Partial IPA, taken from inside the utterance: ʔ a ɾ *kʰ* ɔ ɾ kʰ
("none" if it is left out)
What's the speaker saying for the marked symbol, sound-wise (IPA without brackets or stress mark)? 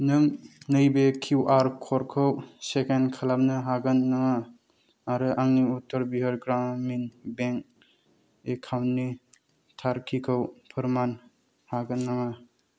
kʰ